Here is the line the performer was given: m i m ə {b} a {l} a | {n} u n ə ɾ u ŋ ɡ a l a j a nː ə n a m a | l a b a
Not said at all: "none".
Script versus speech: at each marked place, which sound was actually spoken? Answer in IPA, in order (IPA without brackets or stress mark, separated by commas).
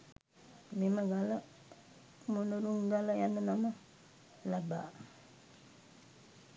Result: ɡ, l, m